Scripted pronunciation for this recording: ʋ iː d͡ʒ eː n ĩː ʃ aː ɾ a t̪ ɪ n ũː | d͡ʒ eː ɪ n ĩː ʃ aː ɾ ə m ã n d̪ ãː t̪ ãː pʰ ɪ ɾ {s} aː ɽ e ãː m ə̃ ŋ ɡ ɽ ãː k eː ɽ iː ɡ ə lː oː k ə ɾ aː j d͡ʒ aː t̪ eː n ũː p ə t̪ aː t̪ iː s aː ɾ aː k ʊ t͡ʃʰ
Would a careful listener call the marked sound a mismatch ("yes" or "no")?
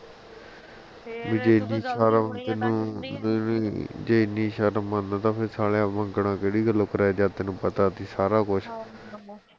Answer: no